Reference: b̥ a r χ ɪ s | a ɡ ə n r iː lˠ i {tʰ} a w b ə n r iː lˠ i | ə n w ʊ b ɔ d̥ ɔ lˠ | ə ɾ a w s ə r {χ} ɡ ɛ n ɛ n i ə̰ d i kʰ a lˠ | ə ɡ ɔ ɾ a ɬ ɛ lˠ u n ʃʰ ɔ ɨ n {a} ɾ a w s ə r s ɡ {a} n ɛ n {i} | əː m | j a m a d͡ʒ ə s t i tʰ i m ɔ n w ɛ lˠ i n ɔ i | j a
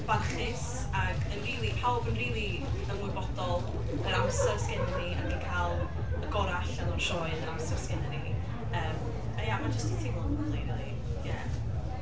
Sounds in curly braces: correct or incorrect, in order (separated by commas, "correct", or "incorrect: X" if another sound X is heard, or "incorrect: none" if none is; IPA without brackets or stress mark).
incorrect: pʰ, incorrect: s, incorrect: ə, incorrect: ɛ, correct